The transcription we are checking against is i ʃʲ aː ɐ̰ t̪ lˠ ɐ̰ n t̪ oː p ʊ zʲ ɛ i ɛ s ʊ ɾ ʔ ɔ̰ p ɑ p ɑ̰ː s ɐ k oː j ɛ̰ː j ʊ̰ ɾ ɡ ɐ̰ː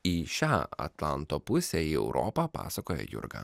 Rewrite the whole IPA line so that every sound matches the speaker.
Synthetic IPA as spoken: i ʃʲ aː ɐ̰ t̪ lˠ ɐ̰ n t̪ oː p ʊ sʲ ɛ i ɛ ʊ ɾ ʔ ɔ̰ p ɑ p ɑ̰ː s ɐ k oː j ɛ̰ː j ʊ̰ ɾ ɡ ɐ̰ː